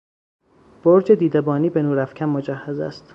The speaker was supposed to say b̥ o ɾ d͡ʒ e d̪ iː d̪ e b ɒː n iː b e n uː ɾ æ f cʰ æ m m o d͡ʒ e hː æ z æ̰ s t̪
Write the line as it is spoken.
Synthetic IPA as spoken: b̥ o ɾ d͡ʒ e d̪ iː d̪ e b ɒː n iː b e n uː ɾ æ f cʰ æ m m o d͡ʒ æ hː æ z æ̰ s t̪